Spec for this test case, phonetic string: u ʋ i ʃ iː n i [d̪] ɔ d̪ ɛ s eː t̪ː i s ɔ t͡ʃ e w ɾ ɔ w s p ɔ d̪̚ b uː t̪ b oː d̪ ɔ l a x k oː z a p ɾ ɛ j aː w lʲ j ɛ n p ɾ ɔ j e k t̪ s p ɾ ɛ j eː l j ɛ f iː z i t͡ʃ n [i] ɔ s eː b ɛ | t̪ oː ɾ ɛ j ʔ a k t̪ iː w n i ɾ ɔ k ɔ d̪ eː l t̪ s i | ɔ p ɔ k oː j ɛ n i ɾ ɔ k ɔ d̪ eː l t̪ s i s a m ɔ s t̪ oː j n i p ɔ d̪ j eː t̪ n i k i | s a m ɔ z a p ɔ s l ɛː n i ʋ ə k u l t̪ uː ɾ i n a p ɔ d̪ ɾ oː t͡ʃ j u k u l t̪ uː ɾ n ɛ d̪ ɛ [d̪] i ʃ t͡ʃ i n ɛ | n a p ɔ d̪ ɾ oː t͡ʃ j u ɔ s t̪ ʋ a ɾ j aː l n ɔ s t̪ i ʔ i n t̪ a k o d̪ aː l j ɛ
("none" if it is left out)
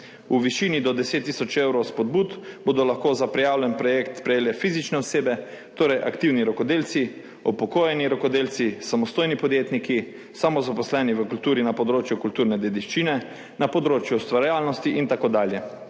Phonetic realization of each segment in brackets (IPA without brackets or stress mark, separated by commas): d̪, ɛ, d̪